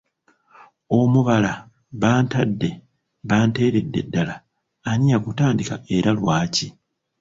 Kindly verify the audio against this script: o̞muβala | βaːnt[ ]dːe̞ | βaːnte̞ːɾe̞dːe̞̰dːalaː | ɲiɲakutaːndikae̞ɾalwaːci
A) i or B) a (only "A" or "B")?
B